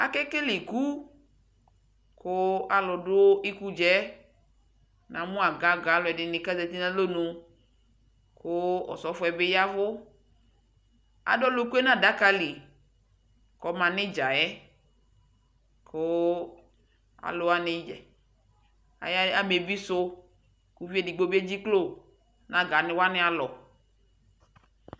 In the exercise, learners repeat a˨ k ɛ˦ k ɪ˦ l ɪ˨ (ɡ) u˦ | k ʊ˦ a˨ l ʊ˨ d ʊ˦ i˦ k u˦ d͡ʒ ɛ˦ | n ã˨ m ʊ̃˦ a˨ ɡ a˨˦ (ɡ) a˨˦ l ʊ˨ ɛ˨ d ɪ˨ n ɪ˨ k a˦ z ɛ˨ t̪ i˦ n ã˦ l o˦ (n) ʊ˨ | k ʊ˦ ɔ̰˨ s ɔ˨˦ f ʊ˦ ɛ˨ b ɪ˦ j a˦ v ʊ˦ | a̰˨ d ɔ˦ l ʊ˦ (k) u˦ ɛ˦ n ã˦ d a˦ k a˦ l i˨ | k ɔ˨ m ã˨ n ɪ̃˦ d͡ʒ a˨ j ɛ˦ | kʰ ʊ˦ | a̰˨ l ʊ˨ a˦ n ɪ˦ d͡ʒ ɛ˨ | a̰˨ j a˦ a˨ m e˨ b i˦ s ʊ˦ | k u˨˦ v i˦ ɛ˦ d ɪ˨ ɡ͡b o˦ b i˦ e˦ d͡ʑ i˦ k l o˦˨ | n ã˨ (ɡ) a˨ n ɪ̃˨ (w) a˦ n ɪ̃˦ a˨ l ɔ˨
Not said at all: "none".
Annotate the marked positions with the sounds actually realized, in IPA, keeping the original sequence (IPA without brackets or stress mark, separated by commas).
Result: k, ɡ, n, k, ɡ, w